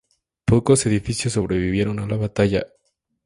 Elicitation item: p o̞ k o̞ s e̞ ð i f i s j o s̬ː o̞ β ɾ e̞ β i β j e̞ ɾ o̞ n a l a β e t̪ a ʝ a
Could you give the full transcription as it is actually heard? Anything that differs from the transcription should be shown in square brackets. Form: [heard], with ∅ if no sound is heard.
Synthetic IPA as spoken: p o̞ k o̞ s e̞ ð i f i s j o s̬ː o̞ β ɾ e̞ β i β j e̞ ɾ o̞ n a l a β [a] t̪ a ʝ a